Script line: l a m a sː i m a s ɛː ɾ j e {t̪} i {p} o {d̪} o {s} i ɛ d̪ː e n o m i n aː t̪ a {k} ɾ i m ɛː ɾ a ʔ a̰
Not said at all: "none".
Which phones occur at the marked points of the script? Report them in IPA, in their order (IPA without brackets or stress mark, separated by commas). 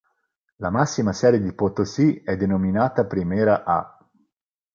d̪, p, t̪, s, p